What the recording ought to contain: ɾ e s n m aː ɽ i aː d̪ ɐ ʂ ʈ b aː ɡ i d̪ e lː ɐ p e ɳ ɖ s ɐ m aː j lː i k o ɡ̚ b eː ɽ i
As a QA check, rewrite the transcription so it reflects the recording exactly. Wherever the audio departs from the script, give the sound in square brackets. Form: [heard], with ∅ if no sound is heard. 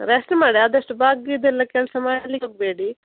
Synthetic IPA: ɾ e s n m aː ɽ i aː d̪ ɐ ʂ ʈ b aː ɡ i d̪ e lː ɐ [k] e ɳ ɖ s ɐ m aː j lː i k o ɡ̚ b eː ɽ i